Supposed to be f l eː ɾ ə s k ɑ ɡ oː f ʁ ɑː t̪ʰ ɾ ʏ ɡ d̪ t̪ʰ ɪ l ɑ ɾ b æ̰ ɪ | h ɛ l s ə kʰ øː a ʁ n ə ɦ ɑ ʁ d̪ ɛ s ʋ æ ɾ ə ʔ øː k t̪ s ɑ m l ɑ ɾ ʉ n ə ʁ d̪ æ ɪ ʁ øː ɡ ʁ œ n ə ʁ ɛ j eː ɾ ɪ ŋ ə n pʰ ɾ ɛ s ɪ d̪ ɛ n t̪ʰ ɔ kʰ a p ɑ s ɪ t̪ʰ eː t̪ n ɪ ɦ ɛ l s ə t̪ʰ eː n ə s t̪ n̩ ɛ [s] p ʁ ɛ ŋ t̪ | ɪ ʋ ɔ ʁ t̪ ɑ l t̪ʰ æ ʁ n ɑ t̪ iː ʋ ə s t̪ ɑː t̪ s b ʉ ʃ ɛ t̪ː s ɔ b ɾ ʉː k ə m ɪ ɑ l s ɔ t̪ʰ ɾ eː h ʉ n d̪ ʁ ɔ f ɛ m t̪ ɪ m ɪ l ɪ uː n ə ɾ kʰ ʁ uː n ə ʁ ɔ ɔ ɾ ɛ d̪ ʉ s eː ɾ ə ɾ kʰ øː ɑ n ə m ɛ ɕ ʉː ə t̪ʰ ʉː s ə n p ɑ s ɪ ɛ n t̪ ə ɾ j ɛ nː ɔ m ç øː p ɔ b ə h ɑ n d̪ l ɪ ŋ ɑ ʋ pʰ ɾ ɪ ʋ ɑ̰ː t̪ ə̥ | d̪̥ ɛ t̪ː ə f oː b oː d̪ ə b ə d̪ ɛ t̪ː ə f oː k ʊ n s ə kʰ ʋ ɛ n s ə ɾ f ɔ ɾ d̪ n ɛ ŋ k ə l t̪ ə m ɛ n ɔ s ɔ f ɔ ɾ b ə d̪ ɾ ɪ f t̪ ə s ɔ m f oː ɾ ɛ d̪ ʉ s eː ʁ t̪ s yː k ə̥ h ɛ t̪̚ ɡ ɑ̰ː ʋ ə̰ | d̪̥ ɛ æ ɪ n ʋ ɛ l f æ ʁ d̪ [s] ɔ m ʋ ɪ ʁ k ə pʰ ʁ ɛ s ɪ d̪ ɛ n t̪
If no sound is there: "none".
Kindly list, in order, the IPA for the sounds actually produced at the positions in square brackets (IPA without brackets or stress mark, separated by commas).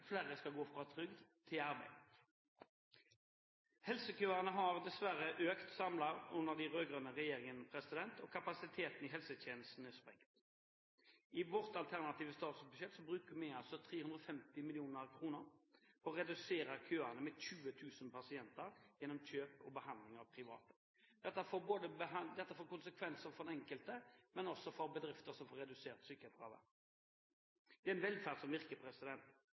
s, s